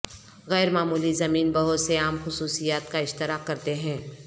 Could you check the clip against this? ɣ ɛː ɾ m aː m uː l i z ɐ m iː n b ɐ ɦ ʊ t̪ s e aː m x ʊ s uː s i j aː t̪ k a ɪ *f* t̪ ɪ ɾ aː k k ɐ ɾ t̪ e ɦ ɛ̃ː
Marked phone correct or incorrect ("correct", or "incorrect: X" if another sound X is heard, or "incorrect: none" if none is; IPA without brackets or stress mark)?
incorrect: ʃ